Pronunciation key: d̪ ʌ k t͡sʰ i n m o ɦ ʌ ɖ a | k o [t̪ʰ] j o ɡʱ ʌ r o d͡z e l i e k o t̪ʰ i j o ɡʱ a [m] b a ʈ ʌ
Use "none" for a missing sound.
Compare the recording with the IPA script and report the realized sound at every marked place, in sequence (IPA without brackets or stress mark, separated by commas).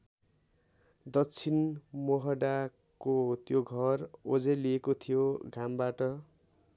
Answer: t̪, m